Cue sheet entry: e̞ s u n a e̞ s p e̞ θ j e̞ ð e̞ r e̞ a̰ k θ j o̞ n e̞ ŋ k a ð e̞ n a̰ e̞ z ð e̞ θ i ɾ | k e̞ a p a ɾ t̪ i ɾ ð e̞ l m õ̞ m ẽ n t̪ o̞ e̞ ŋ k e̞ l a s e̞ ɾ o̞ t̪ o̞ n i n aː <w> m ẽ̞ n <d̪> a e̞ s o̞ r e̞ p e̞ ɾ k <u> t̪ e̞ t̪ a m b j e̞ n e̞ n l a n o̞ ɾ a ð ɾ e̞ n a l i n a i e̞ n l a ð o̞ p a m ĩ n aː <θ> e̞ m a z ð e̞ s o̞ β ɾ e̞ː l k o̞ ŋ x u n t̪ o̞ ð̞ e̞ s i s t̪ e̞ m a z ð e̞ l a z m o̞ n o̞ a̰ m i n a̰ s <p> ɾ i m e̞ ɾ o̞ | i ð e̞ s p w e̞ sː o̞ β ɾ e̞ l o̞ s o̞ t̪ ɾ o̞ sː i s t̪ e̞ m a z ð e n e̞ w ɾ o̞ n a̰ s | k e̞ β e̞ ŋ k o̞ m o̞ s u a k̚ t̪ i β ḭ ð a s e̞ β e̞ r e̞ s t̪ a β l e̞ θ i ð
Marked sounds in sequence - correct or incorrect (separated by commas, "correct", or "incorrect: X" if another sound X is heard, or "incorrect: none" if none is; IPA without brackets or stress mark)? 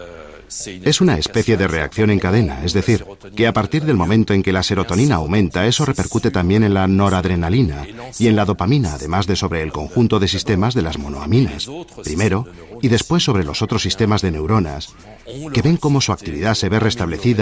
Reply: correct, incorrect: t̪, correct, incorrect: ð, correct